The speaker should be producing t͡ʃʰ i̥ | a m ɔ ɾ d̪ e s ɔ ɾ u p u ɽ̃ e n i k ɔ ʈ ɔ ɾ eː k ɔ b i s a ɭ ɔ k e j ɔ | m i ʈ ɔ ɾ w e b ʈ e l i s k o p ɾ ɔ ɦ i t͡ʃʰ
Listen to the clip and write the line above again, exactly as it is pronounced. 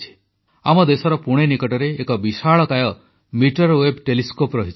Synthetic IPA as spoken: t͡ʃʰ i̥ | a m ɔ d̪ e s ɔ ɾ ɔ p u ɽ̃ e n i k ɔ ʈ ɔ ɾ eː k ɔ b i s a ɭ ɔ k a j ɔ | m i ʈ ɔ ɾ w e b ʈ e l i s k o p ɾ ɔ ɦ i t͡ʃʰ

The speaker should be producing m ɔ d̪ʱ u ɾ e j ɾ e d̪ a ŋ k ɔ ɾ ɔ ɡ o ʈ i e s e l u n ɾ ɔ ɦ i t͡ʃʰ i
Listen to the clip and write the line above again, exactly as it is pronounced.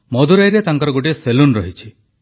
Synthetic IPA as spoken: m ɔ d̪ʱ u ɾ a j ɾ e t̪ a ŋ k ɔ ɾ ɔ ɡ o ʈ i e s e l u n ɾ ɔ ɦ i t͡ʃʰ i

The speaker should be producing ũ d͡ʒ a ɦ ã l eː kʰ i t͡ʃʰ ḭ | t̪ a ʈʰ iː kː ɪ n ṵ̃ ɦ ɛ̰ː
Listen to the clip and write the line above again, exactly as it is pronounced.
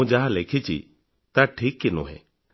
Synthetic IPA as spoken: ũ d͡ʒ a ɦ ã l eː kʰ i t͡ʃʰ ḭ | t̪ a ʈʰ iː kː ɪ n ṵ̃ ɦ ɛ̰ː

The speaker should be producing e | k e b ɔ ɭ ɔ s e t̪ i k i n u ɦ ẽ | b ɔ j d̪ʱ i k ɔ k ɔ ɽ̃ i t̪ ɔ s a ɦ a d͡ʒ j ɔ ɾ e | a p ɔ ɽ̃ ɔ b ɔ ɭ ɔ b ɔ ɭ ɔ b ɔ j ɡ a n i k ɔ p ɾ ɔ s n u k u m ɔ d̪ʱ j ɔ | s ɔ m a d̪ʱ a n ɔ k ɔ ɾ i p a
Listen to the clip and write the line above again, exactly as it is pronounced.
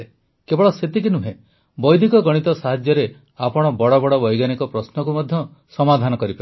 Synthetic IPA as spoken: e | k e b ɔ ɭ ɔ s e t̪ i k i n u ɦ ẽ | b ɔ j d̪ʱ i k ɔ ɡ ɔ ɽ̃ i t̪ ɔ s a ɦ a d͡ʒ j ɔ ɾ e | a p ɔ ɽ̃ ɔ b ɔ ɽ ɔ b ɔ ɽ ɔ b ɔ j ɡ a n i k ɔ p ɾ ɔ s n ɔ k u m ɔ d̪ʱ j ɔ | s ɔ m a d̪ʱ a n ɔ k ɔ ɾ i p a

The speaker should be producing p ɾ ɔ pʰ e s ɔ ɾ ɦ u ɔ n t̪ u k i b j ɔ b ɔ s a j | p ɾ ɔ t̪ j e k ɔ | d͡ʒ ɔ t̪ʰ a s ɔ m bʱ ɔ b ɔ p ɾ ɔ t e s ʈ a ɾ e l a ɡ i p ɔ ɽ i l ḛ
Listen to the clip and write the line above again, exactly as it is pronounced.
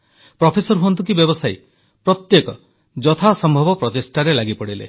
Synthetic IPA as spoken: p ɾ ɔ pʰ e s ɔ ɾ ɦ u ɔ n t̪ u k i b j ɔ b ɔ s a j | p ɾ ɔ t̪ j e k ɔ | d͡ʒ ɔ t̪ʰ a s ɔ m bʱ ɔ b ɔ p ɾ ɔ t e s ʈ a ɾ e l a ɡ i p ɔ ɽ i l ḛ

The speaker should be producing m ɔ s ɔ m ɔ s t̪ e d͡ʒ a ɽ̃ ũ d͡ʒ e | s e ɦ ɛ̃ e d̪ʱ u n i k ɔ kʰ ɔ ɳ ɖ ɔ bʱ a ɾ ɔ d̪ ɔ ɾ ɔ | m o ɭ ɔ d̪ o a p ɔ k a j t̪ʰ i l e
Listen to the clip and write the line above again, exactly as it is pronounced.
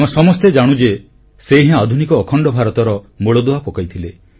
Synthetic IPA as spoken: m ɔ s ɔ m ɔ s t̪ e d͡ʒ a ɽ̃ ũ d͡ʒ e | s e ɦ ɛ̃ a d̪ʱ u n i k ɔː kʰ ɔ ɳ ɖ ɔ bʱ a ɾ ɔ t̪ ɔ ɾ ɔ | m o ɭ ɔ d̪ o a p ɔ k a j t̪ʰ i l e

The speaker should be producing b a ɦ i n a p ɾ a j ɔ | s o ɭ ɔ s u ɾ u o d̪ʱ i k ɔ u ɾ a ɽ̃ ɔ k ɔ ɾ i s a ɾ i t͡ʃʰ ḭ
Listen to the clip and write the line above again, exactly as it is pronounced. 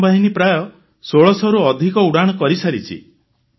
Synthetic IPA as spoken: b a ɦ i n i p ɾ a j ɔ | s o ɭ ɔ s ɔ ɾ u ɔ d̪ʱ i k ɔ u ɽ a ɽ̃ ɔ k ɔ ɾ i s a ɾ i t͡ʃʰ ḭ

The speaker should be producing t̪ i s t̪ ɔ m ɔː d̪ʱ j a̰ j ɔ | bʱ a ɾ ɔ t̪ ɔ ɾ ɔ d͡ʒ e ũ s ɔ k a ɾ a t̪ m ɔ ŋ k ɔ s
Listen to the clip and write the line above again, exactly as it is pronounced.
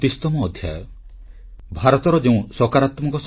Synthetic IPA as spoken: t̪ i s t̪ ɔ m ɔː d̪ʱ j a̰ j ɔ | bʱ a ɾ ɔ t̪ ɔ ɾ ɔ d͡ʒ e ũ s ɔ k a ɾ a t̪ m ɔ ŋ k ɔ s

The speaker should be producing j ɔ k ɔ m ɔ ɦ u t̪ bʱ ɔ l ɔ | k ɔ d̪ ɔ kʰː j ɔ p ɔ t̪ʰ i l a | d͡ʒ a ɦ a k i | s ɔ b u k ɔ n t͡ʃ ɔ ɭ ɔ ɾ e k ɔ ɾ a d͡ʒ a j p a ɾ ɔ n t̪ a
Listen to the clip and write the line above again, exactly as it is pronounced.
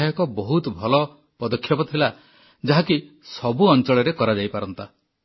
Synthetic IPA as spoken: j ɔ k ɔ b ɔ ɦ u t̪ bʱ ɔ l ɔ | p ɔ d̪ ɔ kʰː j ɔ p ɔ t̪ʰ i l a | d͡ʒ a ɦ a k i | s ɔ b u ɔ n t͡ʃ ɔ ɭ ɔ ɾ e k ɔ ɾ a d͡ʒ a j p a ɾ ɔ n t̪ a

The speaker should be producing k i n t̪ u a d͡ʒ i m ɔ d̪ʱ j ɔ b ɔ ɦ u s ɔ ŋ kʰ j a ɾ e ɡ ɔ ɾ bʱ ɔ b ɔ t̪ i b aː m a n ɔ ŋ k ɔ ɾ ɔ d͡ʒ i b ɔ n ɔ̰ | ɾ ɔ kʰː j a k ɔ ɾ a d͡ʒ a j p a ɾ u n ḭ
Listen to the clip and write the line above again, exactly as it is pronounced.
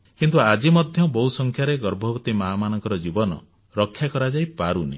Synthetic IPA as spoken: k i n t̪ u a d͡ʒ i m ɔ d̪ʱ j ɔ b ɔ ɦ u s ɔ ŋ kʰ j a ɾ e ɡ ɔ ɾ bʱ ɔ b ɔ t̪ i m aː m a n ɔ ŋ k ɔ ɾ ɔ d͡ʒ i b ɔ n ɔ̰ | ɾ ɔ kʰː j a k ɔ ɾ a d͡ʒ a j p a ɾ u n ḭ

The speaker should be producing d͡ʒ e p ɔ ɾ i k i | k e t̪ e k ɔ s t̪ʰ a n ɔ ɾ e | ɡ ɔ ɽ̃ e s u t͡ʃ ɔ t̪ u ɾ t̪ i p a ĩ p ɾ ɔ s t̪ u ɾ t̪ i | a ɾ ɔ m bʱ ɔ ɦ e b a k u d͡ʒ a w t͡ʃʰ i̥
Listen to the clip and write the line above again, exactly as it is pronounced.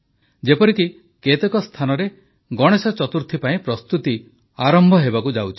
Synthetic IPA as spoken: d͡ʒ e p ɔ ɾ i k i | k e t̪ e k ɔ s t̪ʰ a n ɔ ɾ e | ɡ ɔ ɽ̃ e s ɔ t͡ʃ ɔ t̪ u ɾ t̪ʰ i p a ĩ p ɾ ɔ s t̪ u t̪ i | a ɾ ɔ m bʱ ɔ ɦ e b a k u d͡ʒ a w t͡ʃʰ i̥

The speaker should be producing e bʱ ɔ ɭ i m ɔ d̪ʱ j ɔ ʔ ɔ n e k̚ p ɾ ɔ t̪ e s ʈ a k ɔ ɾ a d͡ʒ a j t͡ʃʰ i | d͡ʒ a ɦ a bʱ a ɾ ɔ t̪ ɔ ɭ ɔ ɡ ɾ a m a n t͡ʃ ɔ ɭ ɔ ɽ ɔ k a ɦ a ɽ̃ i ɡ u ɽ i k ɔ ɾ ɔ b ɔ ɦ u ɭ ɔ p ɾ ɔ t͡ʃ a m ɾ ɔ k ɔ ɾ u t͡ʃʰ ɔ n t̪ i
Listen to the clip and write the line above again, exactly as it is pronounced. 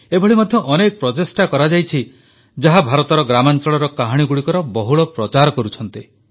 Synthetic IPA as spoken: e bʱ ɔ ɭ i m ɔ d̪ʱ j ɔ ʔ ɔ n e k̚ p ɾ ɔ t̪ e s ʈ a k ɔ ɾ a d͡ʒ a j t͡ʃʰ i | d͡ʒ a ɦ a bʱ a ɾ ɔ t̪ ɔ ɾ ɔ ɡ ɾ a m a n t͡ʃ ɔ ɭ ɔ ɾ ɔ k a ɦ a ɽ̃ i ɡ u ɽ i k ɔ ɾ ɔ b ɔ ɦ u ɭ ɔ p ɾ ɔ t͡ʃ a ɾ ɔ k ɔ ɾ u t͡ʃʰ ɔ n t̪ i

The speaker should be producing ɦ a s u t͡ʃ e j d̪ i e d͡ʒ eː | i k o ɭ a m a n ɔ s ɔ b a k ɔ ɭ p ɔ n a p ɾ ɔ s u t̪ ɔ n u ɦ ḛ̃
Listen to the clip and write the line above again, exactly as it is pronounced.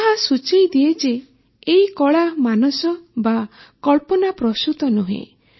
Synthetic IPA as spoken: ɦ a s u t͡ʃ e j d̪ i e d͡ʒ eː | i k ɔ ɭ a m a n ɔ s ɔ b a k ɔ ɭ p ɔ n a p ɾ ɔ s u t̪ ɔ n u ɦ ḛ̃

